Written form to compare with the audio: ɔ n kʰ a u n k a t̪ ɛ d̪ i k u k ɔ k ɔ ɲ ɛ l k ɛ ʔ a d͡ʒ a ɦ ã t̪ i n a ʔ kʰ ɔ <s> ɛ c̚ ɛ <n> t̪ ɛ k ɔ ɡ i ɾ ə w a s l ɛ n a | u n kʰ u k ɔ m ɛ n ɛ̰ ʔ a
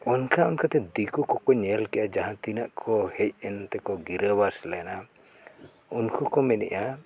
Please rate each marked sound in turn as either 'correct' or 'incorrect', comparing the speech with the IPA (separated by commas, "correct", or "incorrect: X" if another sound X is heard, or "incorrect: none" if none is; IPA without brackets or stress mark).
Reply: incorrect: h, correct